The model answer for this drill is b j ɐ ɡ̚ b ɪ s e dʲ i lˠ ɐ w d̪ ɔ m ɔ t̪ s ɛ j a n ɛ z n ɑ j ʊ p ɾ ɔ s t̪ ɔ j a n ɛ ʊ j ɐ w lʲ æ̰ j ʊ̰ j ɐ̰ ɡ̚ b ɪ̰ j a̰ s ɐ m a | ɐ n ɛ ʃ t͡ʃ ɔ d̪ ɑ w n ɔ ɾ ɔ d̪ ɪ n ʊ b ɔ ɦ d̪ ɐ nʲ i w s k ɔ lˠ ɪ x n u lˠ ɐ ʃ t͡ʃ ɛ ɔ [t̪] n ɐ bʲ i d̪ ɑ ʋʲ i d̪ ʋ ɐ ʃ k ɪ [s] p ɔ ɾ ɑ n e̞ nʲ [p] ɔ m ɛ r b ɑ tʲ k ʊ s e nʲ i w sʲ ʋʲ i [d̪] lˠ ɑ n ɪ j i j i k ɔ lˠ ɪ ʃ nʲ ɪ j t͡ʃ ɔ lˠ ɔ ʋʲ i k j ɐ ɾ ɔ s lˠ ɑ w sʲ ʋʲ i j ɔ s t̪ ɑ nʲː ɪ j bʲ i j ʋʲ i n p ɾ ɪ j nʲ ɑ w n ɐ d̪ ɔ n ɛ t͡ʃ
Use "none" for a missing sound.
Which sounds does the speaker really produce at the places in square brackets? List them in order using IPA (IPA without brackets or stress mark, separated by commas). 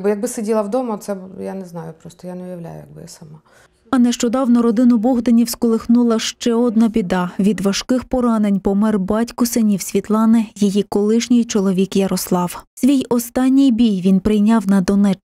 d̪, x, p, t̪